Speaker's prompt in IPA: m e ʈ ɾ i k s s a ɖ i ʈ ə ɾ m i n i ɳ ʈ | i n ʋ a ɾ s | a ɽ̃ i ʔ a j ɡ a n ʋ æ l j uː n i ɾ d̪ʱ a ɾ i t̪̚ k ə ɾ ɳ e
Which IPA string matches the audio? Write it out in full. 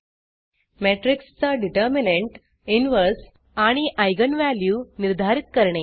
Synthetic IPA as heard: m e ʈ ɾ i k s t͡s a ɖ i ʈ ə ɾ m i n e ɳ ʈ | i n ʋ ə ɾ s | a ɽ̃ i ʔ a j ɡ ə n ʋ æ l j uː n i ɾ d̪ʱ a ɾ i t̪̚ k ə ɾ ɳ e